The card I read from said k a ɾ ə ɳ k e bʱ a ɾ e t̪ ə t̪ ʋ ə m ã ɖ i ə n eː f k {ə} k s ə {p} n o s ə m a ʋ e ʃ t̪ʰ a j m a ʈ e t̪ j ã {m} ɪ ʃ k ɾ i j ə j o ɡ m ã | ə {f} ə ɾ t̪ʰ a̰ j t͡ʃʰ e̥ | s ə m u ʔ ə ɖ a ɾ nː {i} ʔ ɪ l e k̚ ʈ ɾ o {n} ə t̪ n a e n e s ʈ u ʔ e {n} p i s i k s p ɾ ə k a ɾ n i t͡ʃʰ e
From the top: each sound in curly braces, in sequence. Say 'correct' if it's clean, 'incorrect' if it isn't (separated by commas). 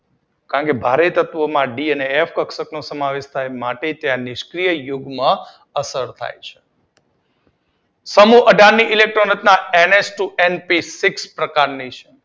correct, incorrect, incorrect, incorrect, correct, correct, correct